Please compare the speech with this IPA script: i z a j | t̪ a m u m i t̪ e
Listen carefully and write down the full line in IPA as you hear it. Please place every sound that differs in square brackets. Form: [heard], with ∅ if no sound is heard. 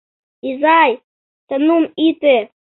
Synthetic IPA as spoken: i z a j | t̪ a [n] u m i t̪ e

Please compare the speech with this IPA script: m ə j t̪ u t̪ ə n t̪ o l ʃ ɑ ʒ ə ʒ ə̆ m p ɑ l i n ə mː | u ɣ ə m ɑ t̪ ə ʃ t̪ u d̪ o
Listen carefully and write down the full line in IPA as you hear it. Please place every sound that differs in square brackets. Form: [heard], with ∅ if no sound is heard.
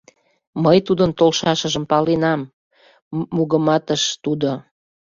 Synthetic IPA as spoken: m ə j t̪ u [d̪] ə n t̪ o l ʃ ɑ [ʃ] ə ʒ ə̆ m p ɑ l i n [ɑ] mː | u ɣ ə m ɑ t̪ ə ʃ t̪ u d̪ o

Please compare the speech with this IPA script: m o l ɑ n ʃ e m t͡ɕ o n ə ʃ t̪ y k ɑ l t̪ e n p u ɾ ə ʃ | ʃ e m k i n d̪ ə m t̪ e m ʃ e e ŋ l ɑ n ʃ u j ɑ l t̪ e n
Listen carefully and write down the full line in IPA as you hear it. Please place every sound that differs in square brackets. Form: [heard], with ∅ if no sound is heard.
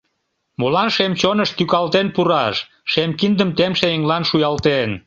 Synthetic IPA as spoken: m o l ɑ n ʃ e m t͡ɕ o n ə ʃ t̪ y k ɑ l t̪ e n p u ɾ [ɑ] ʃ | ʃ e m k i n d̪ ə m t̪ e m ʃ e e ŋ l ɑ n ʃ u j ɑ l t̪ e n

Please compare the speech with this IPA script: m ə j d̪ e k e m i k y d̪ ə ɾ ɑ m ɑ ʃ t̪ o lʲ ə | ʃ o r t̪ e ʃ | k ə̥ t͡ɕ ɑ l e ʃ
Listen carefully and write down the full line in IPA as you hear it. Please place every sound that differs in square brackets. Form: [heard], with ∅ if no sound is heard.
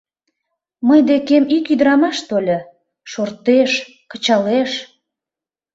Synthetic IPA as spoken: m ə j d̪ e k e m i k y d̪ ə ɾ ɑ m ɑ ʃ t̪ o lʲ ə | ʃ o r t̪ e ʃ | k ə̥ t͡ɕ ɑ l e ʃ

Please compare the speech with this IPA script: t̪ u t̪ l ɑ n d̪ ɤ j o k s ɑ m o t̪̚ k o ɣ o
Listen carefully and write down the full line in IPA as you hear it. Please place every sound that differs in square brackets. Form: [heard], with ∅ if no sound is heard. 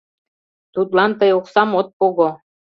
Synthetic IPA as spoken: t̪ u t̪ l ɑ n [t̪] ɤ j o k s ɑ m o t̪̚ [p] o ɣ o

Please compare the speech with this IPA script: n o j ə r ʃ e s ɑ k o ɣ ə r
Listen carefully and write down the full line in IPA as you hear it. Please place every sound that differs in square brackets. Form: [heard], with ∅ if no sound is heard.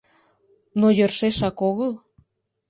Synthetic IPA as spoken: n o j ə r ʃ e [ʃ] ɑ k o ɣ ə [l]

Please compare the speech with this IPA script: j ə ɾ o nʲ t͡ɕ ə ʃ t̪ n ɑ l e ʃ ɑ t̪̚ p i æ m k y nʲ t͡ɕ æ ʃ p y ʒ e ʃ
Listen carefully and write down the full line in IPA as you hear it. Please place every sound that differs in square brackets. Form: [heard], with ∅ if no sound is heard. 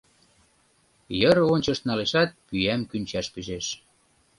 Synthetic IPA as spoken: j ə ɾ o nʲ t͡ɕ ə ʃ t̪ n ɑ l e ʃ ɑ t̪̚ p [y] æ m k y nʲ t͡ɕ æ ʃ p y ʒ e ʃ

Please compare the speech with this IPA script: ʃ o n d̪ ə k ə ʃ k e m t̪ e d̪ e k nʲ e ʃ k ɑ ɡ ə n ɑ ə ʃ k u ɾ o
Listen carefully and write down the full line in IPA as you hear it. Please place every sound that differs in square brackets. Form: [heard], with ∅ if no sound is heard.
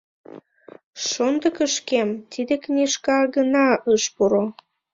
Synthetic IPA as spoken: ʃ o n d̪ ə k ə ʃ k e m t̪ [i] d̪ e k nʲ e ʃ k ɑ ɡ ə n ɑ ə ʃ [p] u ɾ o

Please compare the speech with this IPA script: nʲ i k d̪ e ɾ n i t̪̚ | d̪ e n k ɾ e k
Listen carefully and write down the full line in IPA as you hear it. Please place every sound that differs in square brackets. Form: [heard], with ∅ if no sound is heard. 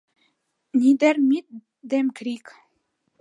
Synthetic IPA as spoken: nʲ i [∅] d̪ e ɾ [m] i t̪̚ | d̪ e [m] k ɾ [i] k

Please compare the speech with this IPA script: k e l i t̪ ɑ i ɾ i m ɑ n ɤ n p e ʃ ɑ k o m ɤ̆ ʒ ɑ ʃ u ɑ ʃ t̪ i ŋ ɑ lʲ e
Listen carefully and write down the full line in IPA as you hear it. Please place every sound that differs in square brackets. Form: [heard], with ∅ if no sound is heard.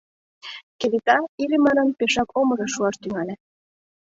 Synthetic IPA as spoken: k e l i t̪ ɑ i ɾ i m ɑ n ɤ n p e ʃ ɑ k o m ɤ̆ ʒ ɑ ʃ u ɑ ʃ t̪ [y] ŋ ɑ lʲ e

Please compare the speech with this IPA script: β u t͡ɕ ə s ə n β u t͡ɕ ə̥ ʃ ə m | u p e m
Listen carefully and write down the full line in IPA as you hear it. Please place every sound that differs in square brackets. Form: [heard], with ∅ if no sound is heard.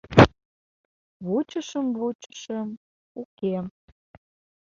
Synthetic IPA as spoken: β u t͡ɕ ə [ʃ] ə [m] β u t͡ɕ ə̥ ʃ ə m | u [k] e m

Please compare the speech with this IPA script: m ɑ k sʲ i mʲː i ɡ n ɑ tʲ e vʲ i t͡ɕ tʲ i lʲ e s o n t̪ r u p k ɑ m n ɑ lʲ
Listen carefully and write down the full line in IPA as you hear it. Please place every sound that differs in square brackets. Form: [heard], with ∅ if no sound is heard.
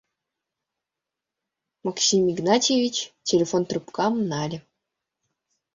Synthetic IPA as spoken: m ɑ k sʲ i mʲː i ɡ n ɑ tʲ e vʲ i t͡ɕ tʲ [e] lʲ e [f] o n t̪ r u p k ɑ m n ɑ lʲ

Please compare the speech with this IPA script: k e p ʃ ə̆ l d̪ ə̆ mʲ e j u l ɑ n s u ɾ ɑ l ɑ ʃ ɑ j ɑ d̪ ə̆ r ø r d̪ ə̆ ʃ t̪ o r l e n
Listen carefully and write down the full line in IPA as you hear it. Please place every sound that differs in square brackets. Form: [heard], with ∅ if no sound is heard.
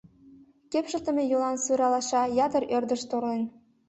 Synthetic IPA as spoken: k e p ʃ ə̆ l [t̪] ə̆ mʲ e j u l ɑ n s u ɾ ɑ l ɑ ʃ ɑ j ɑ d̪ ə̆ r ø r d̪ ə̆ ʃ t̪ o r l e n

